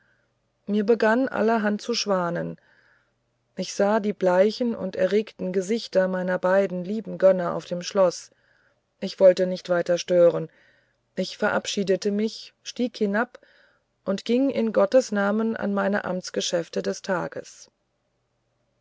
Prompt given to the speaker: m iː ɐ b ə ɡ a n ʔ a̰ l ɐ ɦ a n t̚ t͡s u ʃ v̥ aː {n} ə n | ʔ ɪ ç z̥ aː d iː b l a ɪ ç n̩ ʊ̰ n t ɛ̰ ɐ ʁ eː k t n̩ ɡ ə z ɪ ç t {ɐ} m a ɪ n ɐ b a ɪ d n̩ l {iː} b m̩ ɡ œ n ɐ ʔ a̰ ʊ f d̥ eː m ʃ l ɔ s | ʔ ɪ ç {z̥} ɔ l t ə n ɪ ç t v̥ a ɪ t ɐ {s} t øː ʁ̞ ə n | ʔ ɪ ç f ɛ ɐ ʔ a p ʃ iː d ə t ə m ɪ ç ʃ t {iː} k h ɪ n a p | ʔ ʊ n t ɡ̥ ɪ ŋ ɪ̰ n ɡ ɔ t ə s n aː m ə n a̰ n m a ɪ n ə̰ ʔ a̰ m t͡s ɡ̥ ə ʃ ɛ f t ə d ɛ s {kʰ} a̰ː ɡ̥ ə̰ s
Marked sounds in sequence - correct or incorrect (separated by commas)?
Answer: correct, correct, correct, incorrect, incorrect, correct, incorrect